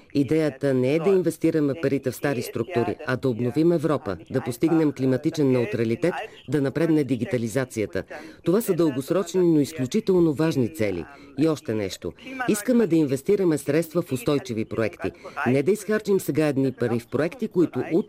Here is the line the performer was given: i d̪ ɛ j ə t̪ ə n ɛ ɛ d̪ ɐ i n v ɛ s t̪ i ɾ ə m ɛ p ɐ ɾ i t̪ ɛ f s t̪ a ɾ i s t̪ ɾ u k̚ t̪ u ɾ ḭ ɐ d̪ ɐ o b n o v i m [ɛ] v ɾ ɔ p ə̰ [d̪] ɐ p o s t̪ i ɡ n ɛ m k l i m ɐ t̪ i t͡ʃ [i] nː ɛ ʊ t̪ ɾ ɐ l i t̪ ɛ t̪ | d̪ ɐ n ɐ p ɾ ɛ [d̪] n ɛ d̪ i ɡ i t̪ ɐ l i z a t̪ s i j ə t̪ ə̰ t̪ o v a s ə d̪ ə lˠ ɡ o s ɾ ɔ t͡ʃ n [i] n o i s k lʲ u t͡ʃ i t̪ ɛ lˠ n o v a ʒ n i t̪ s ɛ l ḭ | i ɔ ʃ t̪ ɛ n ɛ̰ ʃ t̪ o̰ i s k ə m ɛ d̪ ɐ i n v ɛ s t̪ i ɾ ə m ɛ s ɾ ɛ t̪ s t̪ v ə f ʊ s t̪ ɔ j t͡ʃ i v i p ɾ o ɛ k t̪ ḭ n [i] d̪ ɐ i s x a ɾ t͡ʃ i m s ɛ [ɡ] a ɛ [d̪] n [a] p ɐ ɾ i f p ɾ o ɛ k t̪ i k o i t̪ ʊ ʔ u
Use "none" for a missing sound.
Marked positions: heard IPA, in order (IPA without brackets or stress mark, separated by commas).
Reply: ɛ, d̪, ɛ, d̪, i, ɛ, ɡ, d̪, i